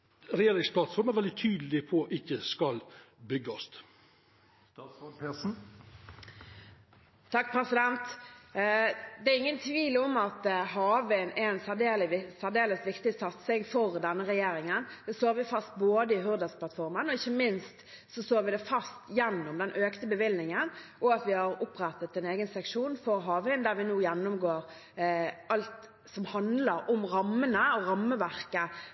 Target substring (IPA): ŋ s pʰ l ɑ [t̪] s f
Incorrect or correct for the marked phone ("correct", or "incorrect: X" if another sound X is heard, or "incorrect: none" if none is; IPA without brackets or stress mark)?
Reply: correct